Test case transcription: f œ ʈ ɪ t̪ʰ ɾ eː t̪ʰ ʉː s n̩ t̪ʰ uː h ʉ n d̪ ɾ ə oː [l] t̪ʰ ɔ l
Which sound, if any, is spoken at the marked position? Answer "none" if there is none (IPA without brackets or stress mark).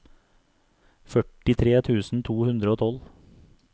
none